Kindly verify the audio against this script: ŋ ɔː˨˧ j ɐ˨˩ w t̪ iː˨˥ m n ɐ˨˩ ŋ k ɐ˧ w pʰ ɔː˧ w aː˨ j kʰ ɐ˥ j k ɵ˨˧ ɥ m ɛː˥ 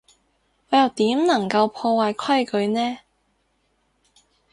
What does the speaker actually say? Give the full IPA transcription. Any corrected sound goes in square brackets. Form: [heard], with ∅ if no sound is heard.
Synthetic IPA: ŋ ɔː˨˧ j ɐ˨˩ w t̪ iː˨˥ m n ɐ˨˩ ŋ k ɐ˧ w pʰ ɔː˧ w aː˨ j kʰ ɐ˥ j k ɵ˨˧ ɥ [n] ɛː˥